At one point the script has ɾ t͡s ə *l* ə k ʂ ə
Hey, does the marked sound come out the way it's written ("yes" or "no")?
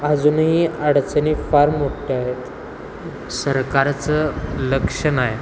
yes